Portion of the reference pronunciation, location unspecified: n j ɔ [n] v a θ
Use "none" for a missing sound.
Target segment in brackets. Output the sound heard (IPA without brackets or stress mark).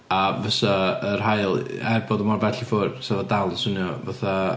none